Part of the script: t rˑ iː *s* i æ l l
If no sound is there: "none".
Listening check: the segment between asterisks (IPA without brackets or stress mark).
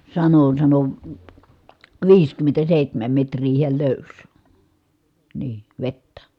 h